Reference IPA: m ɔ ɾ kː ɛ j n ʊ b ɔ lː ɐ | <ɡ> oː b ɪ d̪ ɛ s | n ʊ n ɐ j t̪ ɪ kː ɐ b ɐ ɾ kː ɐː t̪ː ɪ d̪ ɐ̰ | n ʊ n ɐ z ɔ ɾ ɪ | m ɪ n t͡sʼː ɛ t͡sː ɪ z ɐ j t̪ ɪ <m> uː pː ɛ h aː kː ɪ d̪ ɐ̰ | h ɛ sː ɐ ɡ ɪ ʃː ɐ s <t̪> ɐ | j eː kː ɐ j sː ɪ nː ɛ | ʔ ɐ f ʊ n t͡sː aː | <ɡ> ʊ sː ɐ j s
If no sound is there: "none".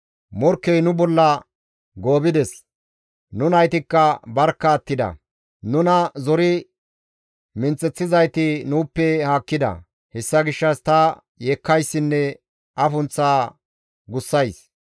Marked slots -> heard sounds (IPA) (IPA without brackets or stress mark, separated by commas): ɡ, n, t̪, ɡ